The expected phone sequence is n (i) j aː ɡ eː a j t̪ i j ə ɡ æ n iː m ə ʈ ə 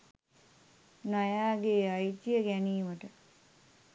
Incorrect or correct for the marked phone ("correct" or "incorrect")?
incorrect